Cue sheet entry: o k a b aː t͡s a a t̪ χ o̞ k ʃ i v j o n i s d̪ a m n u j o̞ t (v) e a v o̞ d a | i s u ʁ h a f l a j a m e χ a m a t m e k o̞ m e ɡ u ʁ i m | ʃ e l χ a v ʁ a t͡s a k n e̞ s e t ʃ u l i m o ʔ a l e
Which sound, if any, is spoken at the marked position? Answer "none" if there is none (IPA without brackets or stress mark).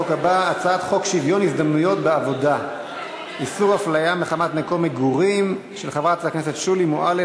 b